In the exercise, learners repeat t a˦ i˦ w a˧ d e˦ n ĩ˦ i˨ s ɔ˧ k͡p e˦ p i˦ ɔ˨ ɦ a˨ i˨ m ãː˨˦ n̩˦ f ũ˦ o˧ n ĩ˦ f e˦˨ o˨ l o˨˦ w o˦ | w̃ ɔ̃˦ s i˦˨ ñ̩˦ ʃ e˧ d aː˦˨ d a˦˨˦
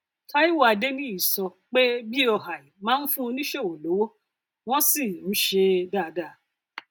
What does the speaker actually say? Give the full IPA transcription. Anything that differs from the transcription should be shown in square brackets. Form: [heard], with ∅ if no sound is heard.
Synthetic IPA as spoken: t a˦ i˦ w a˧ d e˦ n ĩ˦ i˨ s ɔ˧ k͡p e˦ [b] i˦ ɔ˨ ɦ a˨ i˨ m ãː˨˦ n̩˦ f ũ˦ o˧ n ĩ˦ [ʃ] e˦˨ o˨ l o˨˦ w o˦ | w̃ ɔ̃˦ s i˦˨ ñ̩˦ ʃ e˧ d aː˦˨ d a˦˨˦